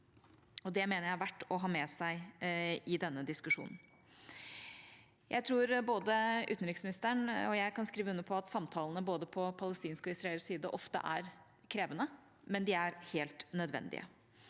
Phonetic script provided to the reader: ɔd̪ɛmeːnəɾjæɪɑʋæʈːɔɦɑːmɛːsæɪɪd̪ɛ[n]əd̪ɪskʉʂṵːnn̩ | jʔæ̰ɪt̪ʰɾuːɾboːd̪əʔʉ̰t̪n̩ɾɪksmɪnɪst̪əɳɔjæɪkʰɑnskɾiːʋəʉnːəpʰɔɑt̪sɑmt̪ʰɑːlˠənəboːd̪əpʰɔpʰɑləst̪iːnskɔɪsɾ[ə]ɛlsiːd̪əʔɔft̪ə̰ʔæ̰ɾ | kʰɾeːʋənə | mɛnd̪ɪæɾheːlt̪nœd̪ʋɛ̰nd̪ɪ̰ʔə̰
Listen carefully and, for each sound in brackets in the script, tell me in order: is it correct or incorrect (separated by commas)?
incorrect, incorrect